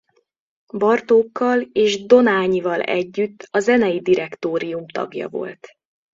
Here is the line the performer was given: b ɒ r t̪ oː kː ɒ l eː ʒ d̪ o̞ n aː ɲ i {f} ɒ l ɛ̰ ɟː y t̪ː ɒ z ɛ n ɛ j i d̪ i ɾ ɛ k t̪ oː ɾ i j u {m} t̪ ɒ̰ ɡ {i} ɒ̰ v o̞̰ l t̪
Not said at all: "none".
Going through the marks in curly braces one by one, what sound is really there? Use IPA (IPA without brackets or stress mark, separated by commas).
v, m, j